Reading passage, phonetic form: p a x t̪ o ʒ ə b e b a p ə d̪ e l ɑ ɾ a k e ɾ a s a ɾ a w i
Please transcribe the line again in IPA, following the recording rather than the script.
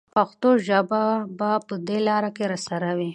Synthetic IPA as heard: p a x t̪ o ʒ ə b a b a p ə d̪ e l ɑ ɾ a k e ɾ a s a ɾ a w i